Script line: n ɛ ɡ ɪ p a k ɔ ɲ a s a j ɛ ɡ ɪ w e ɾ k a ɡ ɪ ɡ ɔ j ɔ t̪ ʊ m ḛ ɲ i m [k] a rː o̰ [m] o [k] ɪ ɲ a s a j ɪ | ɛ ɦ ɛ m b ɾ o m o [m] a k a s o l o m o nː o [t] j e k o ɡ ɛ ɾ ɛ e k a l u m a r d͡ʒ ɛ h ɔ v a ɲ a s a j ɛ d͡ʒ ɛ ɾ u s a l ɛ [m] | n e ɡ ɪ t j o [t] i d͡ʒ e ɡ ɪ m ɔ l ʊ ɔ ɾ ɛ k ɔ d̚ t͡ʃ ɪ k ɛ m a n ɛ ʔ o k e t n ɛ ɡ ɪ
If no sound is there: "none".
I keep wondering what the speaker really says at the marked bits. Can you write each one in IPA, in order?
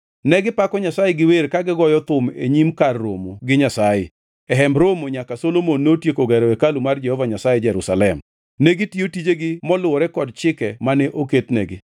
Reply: k, m, ɡ, ɲ, t, m, t

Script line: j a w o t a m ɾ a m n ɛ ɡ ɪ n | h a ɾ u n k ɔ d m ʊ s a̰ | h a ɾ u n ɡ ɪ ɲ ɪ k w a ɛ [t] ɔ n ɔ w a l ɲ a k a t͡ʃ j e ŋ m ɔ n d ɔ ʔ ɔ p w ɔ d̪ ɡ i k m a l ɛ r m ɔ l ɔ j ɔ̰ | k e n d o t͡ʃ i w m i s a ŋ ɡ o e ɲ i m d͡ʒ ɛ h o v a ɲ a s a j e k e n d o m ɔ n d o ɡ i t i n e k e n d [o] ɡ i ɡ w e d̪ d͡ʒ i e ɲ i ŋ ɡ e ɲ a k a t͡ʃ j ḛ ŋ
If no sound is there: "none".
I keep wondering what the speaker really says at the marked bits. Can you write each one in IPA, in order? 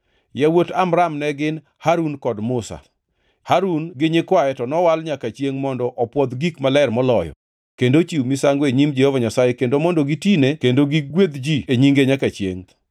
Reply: t, o

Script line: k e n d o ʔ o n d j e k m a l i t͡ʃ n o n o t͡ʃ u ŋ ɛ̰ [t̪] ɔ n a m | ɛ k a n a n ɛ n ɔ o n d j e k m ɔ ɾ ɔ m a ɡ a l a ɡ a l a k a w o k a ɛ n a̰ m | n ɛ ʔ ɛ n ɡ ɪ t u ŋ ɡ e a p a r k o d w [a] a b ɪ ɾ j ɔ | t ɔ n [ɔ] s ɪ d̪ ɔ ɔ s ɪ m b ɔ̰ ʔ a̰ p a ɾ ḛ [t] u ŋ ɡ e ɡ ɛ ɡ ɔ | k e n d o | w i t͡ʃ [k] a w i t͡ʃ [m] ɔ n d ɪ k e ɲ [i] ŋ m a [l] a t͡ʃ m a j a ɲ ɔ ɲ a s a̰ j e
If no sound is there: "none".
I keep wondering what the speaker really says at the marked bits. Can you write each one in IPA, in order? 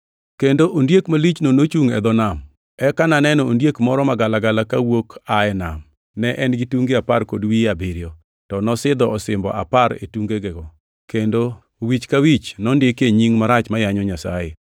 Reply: d̪, i, ɔ, t, k, n, i, ɾ

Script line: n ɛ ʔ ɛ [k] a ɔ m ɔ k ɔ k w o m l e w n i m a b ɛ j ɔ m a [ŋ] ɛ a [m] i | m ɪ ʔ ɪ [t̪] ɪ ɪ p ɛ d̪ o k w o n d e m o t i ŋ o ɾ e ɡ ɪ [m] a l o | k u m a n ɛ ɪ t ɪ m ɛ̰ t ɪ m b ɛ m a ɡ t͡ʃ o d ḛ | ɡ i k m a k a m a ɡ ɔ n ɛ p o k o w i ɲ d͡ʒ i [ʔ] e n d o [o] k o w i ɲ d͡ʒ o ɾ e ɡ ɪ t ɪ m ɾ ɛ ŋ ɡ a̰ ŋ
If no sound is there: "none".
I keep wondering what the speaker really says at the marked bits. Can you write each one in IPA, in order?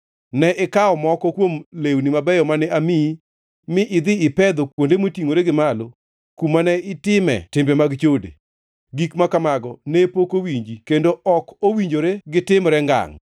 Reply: k, n, m, d̪, m, k, ɔ

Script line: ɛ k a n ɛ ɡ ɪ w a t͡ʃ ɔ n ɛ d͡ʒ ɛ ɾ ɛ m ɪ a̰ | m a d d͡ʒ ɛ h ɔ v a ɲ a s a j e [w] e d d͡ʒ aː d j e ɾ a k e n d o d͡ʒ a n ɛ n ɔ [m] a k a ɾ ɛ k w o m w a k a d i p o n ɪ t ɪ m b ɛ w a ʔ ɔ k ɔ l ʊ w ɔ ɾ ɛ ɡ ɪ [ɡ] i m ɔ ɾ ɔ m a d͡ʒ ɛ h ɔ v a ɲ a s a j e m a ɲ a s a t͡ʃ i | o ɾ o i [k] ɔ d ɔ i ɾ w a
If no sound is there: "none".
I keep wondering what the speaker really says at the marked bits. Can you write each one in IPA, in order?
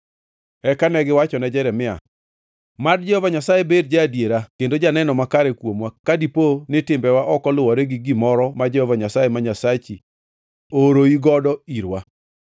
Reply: b, m, ɡ, ɡ

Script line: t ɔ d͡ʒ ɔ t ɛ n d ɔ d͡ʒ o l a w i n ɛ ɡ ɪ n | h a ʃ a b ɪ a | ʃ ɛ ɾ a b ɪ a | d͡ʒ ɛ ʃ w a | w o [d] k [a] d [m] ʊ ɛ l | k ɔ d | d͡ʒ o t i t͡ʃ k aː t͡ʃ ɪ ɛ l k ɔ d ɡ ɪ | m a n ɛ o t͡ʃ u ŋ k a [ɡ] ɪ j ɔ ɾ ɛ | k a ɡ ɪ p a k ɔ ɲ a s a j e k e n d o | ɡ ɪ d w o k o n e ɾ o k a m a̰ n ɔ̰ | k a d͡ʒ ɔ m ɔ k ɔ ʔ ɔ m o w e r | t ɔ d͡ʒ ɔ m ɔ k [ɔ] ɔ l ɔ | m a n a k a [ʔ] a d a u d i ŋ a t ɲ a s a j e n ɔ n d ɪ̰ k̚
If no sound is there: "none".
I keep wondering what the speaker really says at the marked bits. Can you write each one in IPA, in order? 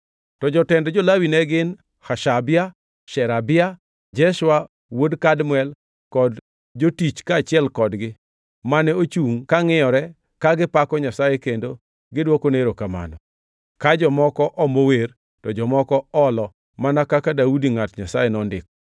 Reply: d, a, m, ŋ, ɔ, k

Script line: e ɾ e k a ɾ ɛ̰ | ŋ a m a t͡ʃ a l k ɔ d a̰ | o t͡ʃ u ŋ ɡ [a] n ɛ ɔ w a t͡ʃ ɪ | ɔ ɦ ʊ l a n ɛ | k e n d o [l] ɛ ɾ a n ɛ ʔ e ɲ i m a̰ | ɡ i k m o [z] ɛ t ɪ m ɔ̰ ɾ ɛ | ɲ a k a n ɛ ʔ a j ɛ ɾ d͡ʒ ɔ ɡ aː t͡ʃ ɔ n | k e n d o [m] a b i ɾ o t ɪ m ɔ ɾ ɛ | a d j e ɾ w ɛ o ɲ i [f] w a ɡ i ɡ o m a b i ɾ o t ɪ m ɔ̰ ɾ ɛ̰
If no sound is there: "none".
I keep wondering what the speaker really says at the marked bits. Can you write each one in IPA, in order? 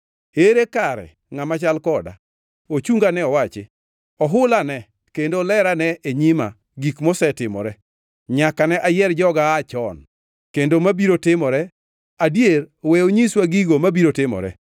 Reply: a, l, s, m, s

